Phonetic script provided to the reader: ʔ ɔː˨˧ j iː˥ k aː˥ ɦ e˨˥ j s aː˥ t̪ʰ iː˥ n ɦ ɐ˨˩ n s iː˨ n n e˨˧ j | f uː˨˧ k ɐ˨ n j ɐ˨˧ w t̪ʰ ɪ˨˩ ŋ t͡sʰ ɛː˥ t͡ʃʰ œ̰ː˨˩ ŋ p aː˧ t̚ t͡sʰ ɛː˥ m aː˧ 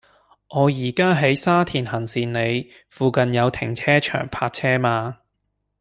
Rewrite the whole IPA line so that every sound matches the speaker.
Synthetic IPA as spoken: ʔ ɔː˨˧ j iː˨˩ k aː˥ ɦ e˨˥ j s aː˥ t̪ʰ iː˨˩ n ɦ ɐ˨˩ n s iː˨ n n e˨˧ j | f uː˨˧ k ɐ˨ n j ɐ˨˧ w t̪ʰ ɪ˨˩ ŋ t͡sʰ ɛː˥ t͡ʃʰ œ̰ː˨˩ ŋ pʰ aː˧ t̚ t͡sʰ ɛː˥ m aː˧

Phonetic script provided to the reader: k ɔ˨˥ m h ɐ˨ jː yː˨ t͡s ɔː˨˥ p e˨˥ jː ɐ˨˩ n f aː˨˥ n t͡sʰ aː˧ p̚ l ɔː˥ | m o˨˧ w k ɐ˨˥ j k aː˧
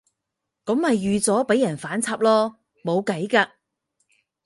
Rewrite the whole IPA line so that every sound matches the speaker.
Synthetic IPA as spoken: k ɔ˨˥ m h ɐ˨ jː yː˨ t͡s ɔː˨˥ p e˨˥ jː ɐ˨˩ n f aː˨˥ n t͡sʰ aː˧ p̚ l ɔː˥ | m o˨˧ w k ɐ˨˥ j k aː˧

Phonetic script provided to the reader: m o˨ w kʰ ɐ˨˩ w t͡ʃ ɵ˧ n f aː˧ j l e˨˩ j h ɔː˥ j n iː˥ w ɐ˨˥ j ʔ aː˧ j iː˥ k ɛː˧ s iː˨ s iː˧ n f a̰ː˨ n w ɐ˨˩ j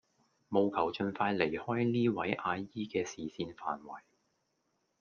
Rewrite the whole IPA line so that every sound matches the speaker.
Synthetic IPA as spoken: m o˨ w kʰ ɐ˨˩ w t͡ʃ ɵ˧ n f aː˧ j l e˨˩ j h ɔː˥ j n iː˥ w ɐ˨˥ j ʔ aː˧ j iː˥ k ɛː˧ s iː˨ s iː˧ n f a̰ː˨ n w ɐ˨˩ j

